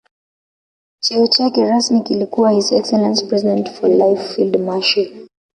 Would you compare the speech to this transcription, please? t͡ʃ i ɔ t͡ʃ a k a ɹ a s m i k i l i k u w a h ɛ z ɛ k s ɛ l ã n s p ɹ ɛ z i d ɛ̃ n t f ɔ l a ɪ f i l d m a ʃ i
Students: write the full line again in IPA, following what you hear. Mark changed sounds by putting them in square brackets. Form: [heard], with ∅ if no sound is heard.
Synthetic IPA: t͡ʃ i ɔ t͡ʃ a k [ɛ] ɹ a s m i k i l i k u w a h [i] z ɛ k s ɛ l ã n s p ɹ ɛ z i d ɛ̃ n t f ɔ l a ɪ f i l d m a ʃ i